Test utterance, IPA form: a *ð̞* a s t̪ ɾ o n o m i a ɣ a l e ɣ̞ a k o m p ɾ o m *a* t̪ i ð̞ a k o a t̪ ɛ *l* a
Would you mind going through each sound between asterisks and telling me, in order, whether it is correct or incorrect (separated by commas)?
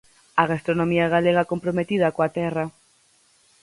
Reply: incorrect, incorrect, incorrect